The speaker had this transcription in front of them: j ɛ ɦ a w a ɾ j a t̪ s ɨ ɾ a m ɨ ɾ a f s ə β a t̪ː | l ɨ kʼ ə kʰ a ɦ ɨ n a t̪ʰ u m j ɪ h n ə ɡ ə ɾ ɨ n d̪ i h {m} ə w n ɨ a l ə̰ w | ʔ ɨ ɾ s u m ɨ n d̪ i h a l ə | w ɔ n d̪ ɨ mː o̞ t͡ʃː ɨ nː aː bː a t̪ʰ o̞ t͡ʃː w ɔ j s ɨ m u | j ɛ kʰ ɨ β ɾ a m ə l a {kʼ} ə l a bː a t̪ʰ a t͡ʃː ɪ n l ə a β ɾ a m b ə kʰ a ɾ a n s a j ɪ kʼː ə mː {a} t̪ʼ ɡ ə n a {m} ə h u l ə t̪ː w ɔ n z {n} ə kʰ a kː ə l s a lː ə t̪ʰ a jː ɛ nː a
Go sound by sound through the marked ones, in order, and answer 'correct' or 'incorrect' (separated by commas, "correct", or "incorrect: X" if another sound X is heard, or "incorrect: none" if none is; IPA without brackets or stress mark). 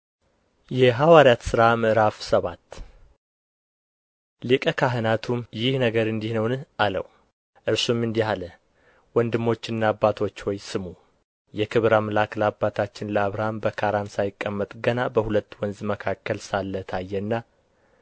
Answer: incorrect: n, incorrect: k, incorrect: ə, incorrect: b, incorrect: m